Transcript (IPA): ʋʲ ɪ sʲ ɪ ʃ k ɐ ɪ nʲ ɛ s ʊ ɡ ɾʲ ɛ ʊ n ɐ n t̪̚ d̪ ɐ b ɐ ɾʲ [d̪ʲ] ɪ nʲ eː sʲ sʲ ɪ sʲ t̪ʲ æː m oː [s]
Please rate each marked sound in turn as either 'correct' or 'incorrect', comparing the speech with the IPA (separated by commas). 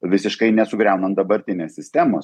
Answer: incorrect, correct